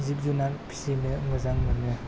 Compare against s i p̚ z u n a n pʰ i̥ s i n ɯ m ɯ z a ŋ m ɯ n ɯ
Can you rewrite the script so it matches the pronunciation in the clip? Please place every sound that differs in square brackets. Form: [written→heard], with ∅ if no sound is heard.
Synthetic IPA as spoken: [s→z] i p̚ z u n a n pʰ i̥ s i n ɯ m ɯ z a ŋ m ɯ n ɯ